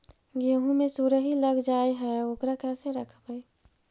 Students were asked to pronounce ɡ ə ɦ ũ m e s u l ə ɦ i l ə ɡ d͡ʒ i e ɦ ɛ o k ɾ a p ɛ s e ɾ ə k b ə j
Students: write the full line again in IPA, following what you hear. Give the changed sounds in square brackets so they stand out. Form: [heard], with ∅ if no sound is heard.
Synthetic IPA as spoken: ɡ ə ɦ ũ m e s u [ɾ] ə ɦ i l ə ɡ d͡ʒ [a] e ɦ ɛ o k ɾ a [k] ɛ s e ɾ ə [kʰ] b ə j